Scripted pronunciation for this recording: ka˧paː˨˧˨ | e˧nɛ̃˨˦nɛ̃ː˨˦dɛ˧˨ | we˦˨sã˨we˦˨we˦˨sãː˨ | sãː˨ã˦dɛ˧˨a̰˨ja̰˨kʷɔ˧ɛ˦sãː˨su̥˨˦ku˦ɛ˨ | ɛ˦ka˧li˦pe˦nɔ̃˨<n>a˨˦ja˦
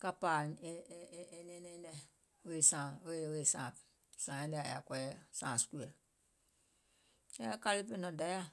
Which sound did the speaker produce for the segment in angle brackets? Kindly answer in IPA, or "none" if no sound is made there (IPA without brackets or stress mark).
d